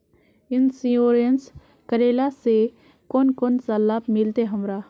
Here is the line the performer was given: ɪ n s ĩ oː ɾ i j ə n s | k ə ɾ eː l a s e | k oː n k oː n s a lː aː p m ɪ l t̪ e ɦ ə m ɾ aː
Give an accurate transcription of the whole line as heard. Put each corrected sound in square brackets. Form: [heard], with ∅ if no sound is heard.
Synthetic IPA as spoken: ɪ n s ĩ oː ɾ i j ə n s | k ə ɾ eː l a s e | k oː n k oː n s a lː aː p m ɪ l t̪ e ɦ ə m ɾ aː